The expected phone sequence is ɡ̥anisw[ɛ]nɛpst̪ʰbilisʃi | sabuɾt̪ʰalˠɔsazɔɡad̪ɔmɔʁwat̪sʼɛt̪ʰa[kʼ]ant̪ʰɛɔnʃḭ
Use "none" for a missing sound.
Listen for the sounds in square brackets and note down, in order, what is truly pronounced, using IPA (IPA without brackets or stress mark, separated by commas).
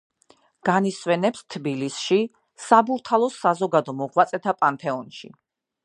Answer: ɛ, pʼ